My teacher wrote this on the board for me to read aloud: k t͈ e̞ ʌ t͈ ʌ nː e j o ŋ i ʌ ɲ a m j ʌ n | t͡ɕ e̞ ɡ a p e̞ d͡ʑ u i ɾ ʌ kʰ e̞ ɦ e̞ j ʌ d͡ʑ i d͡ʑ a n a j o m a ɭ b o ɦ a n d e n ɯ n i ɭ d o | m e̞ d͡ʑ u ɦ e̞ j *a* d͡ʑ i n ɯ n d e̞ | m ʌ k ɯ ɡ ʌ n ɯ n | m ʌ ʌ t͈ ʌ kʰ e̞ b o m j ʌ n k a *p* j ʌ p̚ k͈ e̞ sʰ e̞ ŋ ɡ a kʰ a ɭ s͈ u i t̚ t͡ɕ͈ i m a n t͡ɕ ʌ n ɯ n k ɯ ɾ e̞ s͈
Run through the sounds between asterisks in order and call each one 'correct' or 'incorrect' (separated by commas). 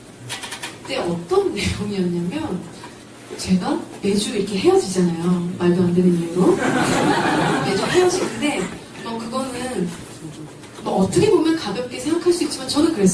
incorrect, incorrect